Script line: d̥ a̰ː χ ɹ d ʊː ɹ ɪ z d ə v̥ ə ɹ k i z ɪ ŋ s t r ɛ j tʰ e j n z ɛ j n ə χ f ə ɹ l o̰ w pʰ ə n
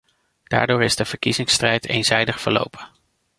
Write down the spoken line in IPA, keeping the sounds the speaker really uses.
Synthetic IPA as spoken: d̥ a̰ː ɹ d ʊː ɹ ɪ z d ə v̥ ə ɹ k i z ɪ ŋ s t r ɛ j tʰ e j n z ɛ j d ə χ f ə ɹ l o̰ w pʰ ə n